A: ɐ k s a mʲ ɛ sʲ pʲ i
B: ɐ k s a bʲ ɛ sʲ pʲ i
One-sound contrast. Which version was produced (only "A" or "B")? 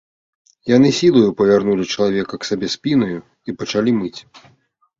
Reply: B